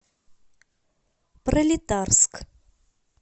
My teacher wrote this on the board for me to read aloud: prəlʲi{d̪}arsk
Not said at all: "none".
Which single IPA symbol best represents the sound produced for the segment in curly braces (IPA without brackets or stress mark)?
t̪